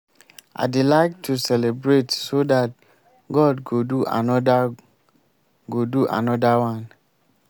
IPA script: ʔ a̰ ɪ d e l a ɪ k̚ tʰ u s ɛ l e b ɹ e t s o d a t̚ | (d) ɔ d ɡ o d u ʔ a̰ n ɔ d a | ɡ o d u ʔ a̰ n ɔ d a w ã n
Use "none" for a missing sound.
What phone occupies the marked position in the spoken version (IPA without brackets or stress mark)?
ɡ